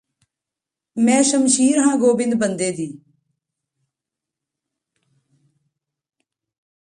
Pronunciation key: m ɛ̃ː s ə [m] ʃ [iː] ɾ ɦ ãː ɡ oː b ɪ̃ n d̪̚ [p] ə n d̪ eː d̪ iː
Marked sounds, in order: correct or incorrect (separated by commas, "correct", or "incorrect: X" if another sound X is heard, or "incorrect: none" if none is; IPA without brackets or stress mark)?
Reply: correct, correct, incorrect: b